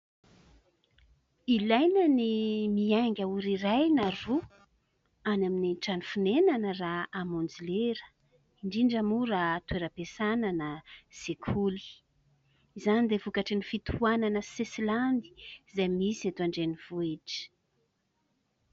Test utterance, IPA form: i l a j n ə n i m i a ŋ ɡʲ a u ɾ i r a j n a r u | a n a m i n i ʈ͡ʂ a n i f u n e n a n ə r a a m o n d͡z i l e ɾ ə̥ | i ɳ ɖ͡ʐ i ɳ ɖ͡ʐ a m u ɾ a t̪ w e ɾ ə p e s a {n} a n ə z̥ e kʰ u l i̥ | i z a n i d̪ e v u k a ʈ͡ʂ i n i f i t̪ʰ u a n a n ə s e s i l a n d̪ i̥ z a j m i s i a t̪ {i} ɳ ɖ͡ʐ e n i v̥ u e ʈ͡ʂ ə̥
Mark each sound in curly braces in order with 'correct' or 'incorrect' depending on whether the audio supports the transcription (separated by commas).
correct, incorrect